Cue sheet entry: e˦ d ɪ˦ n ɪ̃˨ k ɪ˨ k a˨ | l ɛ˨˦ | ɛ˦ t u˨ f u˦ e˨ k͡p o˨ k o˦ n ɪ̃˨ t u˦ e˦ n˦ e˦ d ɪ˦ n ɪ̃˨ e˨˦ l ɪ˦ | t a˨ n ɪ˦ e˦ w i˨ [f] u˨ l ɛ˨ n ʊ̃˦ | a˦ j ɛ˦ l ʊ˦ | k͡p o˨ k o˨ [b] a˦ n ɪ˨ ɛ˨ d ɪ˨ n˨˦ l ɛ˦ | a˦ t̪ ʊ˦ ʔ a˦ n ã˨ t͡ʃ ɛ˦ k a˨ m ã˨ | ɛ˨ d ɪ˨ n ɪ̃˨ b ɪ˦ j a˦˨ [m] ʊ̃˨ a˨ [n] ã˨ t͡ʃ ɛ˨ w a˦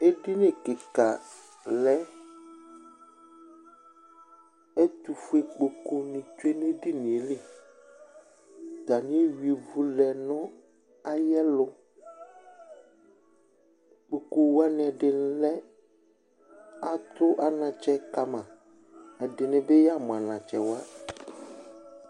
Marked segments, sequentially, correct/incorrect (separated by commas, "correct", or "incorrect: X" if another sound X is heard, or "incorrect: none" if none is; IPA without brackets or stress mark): incorrect: v, incorrect: w, correct, correct